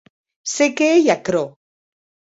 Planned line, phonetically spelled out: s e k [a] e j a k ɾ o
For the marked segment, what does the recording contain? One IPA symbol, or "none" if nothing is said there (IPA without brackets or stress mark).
e